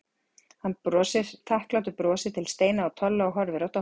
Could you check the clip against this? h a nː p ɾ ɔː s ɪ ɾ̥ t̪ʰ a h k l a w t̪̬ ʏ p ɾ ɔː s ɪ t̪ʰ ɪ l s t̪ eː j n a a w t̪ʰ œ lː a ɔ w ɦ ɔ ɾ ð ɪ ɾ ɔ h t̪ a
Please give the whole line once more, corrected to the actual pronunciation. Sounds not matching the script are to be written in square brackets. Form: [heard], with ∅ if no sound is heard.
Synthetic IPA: h a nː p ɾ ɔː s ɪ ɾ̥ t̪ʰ a h k l a w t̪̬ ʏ p ɾ ɔː s ɪ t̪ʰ ɪ l s t̪ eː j n a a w t̪ʰ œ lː a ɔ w ɦ ɔ ɾ [v] ɪ ɾ ɔ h t̪ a

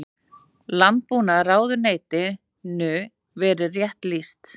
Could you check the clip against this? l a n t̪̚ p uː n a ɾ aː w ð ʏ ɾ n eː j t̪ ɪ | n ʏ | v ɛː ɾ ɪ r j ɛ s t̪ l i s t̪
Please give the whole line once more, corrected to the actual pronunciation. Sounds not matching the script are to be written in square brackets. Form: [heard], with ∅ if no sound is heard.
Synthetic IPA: l a n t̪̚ p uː n a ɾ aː w ð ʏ ɾ n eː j t̪ ɪ | n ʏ | v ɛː ɾ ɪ r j ɛ [h] t̪ l i s t̪

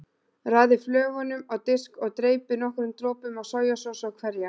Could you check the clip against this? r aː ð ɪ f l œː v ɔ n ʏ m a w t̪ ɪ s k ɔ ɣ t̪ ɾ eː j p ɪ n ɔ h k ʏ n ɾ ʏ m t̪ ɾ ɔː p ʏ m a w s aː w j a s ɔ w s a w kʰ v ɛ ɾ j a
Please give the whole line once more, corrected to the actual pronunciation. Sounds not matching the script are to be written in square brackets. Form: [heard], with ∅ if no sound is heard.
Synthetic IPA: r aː ð ɪ f l œː [ɣ] ɔ n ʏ m a w t̪ ɪ s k ɔ ɣ t̪ ɾ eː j p ɪ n ɔ h k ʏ [∅] ɾ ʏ m t̪ ɾ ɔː p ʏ m a w s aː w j a s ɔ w s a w kʰ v ɛ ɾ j a

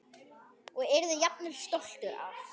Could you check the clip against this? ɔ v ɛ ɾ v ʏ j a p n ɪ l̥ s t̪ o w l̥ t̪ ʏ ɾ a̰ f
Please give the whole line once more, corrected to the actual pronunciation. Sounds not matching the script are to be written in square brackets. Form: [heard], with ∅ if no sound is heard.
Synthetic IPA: ɔ [ɣ] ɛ ɾ [ð] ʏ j a p n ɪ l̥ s t̪ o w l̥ t̪ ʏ ɾ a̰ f

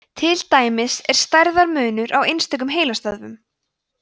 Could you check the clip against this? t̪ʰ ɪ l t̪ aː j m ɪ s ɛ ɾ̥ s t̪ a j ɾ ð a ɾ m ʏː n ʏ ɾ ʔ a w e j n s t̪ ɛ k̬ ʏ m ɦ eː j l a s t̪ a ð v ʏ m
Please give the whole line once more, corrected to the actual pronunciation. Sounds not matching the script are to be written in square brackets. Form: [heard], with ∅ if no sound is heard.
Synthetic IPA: t̪ʰ ɪ l t̪ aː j m ɪ s ɛ ɾ̥ s t̪ a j ɾ ð a ɾ m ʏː n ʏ ɾ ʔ a w e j n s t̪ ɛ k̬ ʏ m ɦ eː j l a s t̪ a ð v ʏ m

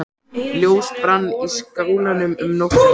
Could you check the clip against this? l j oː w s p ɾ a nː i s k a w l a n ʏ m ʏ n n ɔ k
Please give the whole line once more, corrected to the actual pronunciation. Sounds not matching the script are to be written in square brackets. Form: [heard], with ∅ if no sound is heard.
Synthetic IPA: l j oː w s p ɾ a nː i s k a w l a n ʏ m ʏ [m] n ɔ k

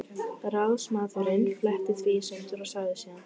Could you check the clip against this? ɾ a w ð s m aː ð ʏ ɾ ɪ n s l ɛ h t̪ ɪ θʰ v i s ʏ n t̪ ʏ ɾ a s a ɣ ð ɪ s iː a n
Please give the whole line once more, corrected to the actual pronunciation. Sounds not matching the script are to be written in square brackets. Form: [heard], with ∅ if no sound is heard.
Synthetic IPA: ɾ a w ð s m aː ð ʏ ɾ ɪ n [f] l ɛ h t̪ ɪ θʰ v i s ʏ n t̪ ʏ ɾ a s a ɣ ð ɪ s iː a n

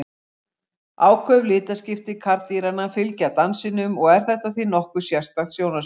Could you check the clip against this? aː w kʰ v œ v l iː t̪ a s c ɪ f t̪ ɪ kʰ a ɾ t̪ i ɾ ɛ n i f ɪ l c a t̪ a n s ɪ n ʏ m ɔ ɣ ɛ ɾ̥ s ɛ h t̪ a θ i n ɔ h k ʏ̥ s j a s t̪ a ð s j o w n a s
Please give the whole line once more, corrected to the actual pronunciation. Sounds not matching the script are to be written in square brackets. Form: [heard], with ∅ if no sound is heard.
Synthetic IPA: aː w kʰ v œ v l [ɪː] t̪ a s c ɪ f t̪ ɪ kʰ a ɾ t̪ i ɾ [a] n [a] f ɪ l c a t̪ a n s ɪ n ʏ m ɔ ɣ ɛ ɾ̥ [θ] ɛ h t̪ a θ i n ɔ h k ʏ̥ s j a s t̪ a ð s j o w n a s

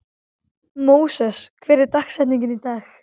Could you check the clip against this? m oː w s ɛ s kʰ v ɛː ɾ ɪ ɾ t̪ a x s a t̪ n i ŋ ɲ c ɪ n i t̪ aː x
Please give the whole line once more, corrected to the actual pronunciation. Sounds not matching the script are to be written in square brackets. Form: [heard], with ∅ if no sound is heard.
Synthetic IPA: m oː w s ɛ s kʰ v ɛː ɾ ɪ ɾ t̪ a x s [ɛ] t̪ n i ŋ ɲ c ɪ n i t̪ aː x

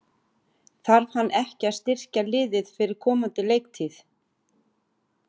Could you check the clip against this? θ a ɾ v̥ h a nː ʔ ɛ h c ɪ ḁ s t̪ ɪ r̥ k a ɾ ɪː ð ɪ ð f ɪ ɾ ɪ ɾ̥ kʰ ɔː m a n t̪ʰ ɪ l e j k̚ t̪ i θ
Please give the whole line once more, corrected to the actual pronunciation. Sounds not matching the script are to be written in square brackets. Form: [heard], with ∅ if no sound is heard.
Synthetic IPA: θ a ɾ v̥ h a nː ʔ ɛ h c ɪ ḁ s t̪ ɪ r̥ [c] a [l] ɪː ð ɪ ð f ɪ ɾ ɪ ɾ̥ kʰ ɔː m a n [t̪] ɪ l e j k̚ [t̪ʰ] i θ

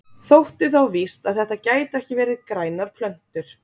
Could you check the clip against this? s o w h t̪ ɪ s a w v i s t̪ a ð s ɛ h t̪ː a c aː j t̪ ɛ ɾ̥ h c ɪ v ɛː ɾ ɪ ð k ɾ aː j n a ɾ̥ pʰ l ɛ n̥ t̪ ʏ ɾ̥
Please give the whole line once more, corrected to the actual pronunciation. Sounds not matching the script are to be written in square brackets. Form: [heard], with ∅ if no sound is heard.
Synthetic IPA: [θ] o w h t̪ ɪ [θ] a w v i s t̪ a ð [θ] ɛ h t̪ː a c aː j t̪ ɛ [∅] h c ɪ v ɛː ɾ ɪ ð k ɾ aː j n a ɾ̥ pʰ l [œ] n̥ t̪ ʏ ɾ̥

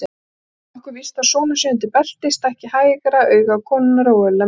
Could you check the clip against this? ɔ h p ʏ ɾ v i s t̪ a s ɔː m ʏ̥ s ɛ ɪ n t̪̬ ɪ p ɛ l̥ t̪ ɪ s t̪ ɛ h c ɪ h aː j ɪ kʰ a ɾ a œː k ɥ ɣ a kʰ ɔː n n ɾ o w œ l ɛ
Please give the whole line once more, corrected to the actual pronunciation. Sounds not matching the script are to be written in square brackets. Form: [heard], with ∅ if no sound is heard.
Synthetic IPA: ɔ h [k] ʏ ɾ v i s t̪ a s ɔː [n] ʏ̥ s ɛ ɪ n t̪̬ ɪ p ɛ l̥ t̪ ɪ s t̪ ɛ h c ɪ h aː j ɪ [k] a ɾ a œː [∅] ɥ ɣ a kʰ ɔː n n ɾ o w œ l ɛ

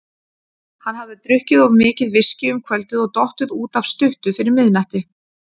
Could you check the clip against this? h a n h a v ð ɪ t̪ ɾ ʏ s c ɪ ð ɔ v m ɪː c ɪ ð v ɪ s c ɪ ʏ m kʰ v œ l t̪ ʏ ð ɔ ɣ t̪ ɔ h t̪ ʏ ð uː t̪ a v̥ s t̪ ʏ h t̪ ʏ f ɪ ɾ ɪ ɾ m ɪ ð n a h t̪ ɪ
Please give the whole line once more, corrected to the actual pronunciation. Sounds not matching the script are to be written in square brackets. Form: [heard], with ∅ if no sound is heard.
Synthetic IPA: h a n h a v ð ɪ t̪ ɾ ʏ [h] c ɪ ð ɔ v m ɪː c ɪ ð v ɪ s c ɪ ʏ m kʰ v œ l t̪ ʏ ð ɔ ɣ t̪ ɔ h t̪ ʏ ð uː t̪ a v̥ s t̪ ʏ h t̪ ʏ f ɪ ɾ ɪ ɾ m ɪ ð n a h t̪ ɪ

